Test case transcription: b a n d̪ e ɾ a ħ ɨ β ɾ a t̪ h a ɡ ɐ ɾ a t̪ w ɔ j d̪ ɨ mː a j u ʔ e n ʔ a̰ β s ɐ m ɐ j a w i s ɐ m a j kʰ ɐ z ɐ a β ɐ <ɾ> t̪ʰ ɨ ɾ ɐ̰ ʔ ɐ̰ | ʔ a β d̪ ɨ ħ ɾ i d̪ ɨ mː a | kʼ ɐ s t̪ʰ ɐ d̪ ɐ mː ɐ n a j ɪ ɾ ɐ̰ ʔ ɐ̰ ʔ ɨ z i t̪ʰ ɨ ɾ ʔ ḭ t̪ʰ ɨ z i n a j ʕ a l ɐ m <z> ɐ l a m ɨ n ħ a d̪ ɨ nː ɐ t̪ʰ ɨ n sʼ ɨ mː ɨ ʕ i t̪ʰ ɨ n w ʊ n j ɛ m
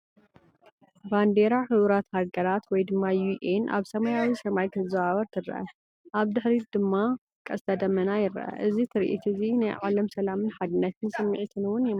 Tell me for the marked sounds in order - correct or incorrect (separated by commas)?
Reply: correct, incorrect